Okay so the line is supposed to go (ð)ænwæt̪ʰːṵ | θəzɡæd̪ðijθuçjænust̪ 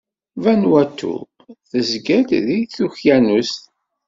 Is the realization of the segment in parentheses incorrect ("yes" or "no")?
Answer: yes